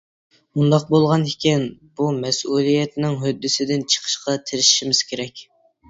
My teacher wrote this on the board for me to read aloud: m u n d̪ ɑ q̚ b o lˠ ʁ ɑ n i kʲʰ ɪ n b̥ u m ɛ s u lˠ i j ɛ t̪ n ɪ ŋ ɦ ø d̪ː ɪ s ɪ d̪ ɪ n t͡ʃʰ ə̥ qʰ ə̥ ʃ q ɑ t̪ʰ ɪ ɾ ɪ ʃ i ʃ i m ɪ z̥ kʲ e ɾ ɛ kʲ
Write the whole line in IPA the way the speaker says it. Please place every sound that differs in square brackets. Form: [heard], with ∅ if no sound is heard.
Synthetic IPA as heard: m u n d̪ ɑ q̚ b o lˠ ʁ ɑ n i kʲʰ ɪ n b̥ u m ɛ s u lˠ i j ɛ t̪ n ɪ ŋ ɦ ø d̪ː ɪ s ɪ d̪ ɪ n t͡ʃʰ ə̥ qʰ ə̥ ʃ q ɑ t̪ʰ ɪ ɾ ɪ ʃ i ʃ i m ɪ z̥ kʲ e ɾ ɛ kʲ